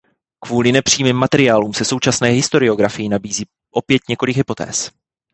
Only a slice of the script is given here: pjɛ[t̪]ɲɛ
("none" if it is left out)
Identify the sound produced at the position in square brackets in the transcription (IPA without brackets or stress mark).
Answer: t̪